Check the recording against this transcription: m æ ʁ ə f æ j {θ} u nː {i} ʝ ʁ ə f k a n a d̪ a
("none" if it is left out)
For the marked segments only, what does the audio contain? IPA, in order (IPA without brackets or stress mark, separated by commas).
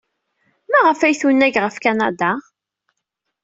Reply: θ, æ